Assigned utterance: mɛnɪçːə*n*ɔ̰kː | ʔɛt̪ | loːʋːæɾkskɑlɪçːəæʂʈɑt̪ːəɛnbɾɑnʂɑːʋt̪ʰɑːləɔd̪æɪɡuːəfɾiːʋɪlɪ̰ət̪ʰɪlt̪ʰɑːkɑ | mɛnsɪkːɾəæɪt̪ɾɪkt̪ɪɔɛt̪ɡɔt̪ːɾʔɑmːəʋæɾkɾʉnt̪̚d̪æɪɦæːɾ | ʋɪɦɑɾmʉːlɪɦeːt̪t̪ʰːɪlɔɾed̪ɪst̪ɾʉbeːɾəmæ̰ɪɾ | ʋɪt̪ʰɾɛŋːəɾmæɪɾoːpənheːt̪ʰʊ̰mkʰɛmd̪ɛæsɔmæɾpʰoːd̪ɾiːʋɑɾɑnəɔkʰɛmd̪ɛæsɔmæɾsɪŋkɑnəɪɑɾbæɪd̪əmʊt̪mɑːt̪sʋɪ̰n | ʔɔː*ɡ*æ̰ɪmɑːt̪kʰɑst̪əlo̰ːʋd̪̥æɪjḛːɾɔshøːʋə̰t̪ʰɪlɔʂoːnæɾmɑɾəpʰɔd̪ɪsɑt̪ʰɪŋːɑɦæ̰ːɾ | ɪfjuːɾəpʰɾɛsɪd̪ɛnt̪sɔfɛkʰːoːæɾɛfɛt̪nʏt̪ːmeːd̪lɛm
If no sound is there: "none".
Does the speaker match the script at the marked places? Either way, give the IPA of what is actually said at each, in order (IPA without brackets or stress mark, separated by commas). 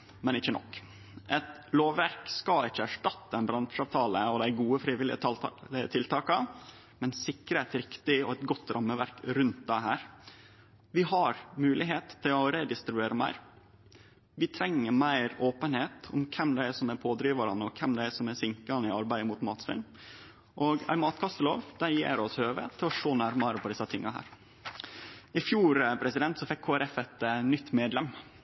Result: n, ɡ